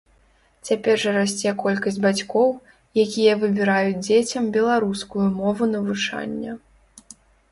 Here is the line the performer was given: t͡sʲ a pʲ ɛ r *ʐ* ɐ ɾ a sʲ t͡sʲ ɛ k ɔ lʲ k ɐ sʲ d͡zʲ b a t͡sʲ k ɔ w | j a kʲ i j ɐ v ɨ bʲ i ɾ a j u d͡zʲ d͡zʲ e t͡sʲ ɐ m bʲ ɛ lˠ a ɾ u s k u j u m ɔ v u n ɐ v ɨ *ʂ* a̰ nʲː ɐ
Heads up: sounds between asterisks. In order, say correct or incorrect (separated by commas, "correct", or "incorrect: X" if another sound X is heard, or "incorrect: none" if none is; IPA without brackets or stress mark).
correct, incorrect: t͡ʂ